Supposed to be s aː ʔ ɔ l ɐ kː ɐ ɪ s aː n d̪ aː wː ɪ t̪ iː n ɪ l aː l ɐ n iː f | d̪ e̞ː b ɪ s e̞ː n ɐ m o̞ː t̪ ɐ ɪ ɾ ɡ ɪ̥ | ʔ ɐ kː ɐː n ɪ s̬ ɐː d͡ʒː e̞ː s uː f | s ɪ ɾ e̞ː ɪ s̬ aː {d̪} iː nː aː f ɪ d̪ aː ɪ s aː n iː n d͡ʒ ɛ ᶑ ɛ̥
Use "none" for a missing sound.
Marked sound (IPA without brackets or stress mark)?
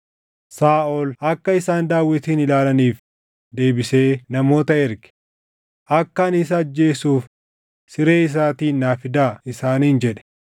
t̪